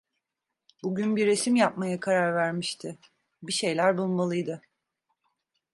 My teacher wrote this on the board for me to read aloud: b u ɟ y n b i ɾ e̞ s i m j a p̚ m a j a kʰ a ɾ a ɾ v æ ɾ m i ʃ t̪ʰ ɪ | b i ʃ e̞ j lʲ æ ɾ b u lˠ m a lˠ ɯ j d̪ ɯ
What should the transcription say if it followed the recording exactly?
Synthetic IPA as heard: b u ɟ y n b i ɾ e̞ s i m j a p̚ m a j a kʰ a ɾ a ɾ v æ ɾ m i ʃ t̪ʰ ɪ | b i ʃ e̞ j lʲ æ ɾ b u lˠ m a lˠ ɯ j d̪ ɯ